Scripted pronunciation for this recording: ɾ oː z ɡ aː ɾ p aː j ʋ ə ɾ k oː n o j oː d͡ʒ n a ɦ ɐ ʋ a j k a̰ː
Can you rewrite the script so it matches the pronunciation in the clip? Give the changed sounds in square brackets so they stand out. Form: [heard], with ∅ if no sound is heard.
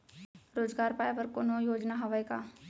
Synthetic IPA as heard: ɾ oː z ɡ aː ɾ p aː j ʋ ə ɾ k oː n o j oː d͡ʒ n a ɦ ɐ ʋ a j k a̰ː